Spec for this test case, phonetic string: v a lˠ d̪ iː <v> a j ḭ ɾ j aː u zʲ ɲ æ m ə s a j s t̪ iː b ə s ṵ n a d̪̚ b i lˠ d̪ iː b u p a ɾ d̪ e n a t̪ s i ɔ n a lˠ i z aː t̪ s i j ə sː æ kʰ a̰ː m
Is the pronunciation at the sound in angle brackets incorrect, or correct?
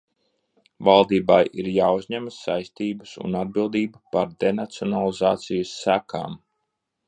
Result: incorrect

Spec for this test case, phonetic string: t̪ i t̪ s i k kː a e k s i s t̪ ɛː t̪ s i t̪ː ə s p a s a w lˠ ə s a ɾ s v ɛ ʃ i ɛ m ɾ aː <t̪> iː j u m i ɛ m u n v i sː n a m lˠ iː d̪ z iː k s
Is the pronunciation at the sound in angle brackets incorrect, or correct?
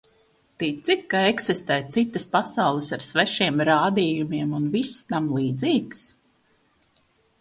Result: incorrect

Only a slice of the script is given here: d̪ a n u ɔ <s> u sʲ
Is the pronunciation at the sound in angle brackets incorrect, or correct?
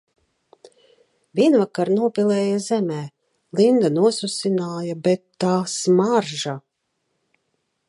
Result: correct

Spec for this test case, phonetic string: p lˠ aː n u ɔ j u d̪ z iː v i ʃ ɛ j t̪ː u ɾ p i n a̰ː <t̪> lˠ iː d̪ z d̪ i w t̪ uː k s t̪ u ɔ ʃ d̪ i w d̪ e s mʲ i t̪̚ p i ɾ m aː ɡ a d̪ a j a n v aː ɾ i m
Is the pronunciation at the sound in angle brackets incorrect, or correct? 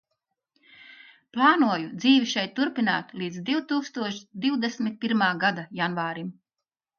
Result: correct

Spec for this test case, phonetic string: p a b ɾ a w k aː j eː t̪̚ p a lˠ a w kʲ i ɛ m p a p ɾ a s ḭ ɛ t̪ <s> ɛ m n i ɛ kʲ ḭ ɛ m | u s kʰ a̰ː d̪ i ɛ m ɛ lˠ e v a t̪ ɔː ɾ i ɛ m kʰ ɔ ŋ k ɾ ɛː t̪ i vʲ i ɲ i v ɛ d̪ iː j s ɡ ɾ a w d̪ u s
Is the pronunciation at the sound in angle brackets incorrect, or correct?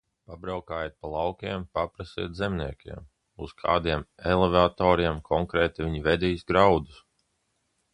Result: incorrect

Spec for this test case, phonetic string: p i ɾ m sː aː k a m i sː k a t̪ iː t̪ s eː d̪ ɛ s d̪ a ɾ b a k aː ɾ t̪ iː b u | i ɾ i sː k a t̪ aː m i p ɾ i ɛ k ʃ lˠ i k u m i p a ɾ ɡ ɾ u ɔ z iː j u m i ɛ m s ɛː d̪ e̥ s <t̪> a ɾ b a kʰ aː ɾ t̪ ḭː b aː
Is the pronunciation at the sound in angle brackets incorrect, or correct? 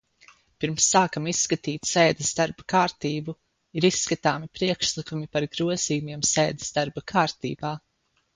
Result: incorrect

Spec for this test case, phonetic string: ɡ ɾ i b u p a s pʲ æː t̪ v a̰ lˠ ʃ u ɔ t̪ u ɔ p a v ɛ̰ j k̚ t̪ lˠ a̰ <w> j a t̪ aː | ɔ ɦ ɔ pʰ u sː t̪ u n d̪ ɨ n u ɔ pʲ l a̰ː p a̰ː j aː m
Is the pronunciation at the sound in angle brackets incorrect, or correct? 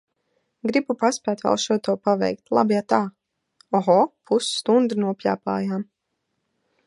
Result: incorrect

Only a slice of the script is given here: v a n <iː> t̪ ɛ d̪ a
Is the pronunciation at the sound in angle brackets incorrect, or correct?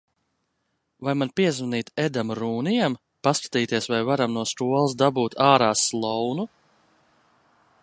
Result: correct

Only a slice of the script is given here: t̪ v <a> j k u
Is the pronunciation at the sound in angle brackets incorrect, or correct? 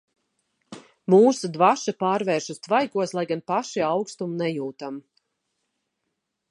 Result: correct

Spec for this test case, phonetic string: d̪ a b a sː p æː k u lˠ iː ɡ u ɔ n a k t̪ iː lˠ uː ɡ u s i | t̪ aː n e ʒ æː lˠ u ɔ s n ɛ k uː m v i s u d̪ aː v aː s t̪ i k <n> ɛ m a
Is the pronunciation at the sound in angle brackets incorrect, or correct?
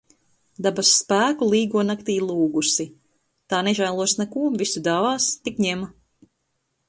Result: incorrect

